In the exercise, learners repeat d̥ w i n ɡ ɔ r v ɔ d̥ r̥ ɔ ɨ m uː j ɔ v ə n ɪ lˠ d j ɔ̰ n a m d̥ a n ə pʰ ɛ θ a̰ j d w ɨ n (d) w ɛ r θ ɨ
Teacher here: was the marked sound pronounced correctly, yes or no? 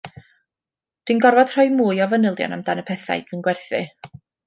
no